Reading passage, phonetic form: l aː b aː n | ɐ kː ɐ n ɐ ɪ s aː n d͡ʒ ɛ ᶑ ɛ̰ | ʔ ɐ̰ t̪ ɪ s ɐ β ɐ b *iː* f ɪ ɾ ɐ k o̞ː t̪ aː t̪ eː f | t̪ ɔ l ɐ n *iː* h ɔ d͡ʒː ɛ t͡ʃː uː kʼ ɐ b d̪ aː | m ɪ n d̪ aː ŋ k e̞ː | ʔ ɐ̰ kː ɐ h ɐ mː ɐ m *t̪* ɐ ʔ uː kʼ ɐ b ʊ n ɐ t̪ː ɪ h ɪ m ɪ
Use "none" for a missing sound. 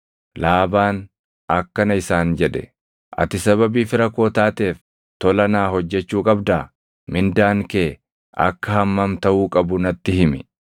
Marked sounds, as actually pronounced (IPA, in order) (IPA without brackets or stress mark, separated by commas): iː, aː, t̪